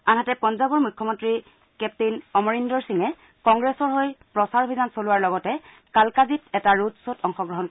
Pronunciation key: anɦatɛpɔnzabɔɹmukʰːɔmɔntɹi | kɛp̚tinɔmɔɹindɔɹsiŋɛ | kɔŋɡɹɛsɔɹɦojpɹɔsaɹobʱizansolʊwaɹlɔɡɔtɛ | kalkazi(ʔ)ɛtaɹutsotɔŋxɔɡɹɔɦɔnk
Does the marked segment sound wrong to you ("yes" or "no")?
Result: yes